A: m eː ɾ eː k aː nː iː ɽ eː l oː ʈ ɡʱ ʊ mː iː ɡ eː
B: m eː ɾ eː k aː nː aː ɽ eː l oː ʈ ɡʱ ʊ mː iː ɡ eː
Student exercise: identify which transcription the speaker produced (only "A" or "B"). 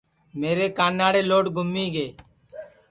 B